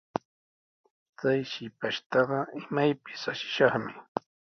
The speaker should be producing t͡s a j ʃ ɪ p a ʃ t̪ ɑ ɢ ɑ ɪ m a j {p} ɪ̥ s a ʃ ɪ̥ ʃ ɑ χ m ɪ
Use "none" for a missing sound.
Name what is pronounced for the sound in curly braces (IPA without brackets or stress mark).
p